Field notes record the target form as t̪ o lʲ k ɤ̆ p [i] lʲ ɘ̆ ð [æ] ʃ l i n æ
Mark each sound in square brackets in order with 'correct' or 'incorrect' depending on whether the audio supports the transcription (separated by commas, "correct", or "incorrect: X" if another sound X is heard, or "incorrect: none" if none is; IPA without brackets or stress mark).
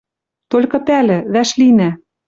incorrect: æ, correct